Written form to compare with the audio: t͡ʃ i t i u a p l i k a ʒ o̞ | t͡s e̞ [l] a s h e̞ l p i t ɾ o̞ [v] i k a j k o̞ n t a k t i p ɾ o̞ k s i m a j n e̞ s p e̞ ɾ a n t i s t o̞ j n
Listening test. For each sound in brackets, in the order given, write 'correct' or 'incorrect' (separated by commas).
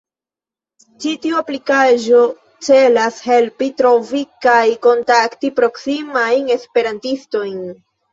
correct, correct